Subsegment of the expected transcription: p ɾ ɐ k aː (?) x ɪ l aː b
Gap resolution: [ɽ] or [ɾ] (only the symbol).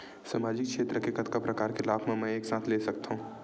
ɾ